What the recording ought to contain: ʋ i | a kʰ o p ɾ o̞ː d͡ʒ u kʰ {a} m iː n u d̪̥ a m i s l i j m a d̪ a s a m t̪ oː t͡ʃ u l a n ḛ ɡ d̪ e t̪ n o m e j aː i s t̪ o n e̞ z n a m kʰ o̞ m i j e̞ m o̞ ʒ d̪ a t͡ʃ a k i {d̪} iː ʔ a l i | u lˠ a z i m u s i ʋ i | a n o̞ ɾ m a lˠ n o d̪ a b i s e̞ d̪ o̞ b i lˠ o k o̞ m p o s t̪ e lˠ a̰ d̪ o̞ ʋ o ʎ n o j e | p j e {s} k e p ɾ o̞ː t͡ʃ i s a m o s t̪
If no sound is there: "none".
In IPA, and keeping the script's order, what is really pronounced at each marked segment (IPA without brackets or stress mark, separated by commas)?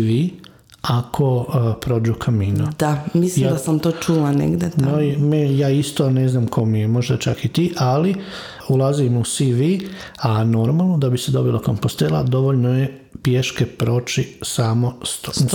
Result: a, t̪, ʃ